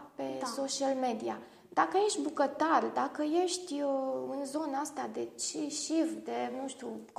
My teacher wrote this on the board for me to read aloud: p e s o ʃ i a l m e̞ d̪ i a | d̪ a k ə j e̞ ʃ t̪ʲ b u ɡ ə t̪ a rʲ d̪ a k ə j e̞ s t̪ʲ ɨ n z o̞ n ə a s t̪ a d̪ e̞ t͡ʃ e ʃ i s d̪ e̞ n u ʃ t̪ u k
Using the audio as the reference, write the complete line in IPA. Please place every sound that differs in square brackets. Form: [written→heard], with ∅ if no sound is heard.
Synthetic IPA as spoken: p e s o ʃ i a l m e̞ d̪ i a | d̪ a k ə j e̞ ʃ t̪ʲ b u [ɡ→k] ə t̪ a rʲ d̪ a k ə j e̞ [s→ʃ] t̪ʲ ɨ n z o̞ n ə a s t̪ a d̪ e̞ t͡ʃ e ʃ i [s→f] d̪ e̞ n u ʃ t̪ u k